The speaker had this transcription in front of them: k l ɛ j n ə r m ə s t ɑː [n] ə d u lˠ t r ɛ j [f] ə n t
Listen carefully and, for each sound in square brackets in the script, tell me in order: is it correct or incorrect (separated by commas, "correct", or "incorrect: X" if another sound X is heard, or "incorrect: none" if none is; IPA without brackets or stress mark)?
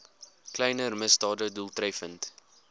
incorrect: d, correct